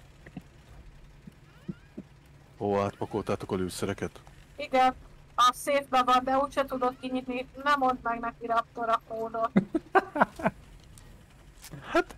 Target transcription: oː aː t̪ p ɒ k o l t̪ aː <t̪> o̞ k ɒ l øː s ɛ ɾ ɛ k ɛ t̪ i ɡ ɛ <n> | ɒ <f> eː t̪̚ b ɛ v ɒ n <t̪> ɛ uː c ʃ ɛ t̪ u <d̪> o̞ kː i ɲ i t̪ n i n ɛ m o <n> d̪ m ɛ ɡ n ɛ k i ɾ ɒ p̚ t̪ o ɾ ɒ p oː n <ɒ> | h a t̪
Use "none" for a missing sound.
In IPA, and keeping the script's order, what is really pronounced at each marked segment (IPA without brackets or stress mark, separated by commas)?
t̪, n, s, d̪, d̪, n, o